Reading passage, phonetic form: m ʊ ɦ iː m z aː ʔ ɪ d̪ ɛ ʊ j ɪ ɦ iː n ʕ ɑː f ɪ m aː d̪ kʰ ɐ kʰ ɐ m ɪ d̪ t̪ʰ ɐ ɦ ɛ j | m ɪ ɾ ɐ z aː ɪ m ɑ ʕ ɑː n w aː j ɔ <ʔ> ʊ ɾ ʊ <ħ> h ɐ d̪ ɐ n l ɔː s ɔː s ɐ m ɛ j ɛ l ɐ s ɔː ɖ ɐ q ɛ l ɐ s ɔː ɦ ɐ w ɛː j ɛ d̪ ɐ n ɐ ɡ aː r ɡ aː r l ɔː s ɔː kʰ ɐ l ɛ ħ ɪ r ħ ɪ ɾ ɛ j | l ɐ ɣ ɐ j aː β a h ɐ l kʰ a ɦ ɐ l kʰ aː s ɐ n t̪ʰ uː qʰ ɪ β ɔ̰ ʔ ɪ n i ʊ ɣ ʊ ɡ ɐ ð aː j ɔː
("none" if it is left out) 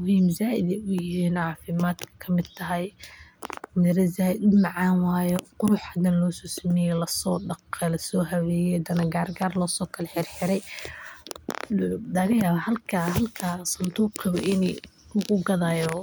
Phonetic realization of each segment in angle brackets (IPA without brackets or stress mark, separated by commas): q, ħ